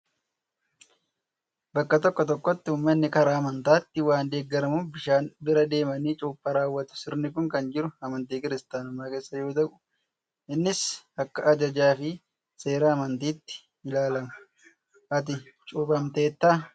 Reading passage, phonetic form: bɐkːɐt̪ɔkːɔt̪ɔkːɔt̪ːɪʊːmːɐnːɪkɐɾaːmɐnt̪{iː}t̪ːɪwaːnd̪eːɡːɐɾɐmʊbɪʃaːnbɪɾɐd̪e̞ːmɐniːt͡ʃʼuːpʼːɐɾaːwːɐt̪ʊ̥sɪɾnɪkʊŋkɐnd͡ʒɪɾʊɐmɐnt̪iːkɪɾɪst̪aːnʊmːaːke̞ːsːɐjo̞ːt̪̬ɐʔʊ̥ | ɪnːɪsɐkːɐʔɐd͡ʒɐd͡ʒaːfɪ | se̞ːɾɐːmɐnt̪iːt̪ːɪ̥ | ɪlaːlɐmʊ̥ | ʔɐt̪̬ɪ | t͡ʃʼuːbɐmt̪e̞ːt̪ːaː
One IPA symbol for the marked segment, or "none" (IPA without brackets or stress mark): aː